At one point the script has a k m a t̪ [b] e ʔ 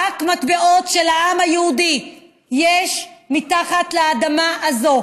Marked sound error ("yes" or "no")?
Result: no